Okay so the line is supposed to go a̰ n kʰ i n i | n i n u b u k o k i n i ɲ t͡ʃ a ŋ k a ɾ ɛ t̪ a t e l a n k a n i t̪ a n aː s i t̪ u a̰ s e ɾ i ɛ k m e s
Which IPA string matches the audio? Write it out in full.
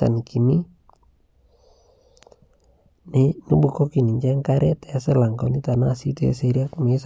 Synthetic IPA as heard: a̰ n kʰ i n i | n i n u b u k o k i n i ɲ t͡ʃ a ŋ k a ɾ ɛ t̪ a s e l a ŋ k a n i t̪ a n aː s i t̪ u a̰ s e ɾ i a k m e s

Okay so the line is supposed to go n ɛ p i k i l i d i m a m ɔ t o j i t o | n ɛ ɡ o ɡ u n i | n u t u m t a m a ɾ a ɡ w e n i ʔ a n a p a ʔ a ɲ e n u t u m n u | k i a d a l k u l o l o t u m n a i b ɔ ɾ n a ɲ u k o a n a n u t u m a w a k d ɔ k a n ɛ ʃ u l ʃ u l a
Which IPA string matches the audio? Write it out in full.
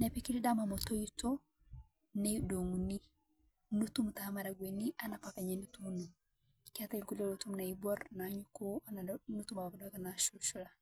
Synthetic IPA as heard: n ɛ p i k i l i d a m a m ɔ t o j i t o | n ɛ d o ŋ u n i | n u t u m t a m a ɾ a ɡ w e n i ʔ a n a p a k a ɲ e n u t u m n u | k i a t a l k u l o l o t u m n a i b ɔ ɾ n a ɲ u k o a n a n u t u m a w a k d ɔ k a n a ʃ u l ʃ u l a

